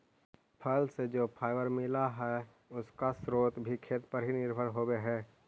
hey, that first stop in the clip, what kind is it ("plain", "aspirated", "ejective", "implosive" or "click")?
aspirated